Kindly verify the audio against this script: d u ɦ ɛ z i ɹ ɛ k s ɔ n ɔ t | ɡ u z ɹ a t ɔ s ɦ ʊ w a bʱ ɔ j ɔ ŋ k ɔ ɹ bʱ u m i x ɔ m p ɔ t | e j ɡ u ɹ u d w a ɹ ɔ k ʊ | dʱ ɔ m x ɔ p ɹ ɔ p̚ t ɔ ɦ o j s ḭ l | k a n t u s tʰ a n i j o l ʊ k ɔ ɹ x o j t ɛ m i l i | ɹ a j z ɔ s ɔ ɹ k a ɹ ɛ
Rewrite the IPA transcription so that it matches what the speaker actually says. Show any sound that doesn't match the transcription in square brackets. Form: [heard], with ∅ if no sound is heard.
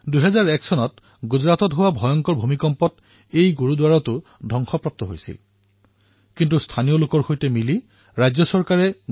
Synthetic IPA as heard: d u ɦ ɛ z [a] ɹ ɛ k s ɔ n ɔ t | ɡ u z ɹ a t ɔ [t] ɦ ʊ w a bʱ ɔ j ɔ ŋ k ɔ ɹ bʱ u m i [k] ɔ m p ɔ t | e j ɡ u ɹ u d w a ɹ ɔ [t] ʊ | dʱ ɔ [ŋ] x ɔ p ɹ ɔ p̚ t ɔ ɦ o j s ḭ l | k [i] n t u s tʰ a n i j o l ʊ k ɔ ɹ x o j t ɛ m i l i | ɹ a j z ɔ s ɔ ɹ k a ɹ ɛ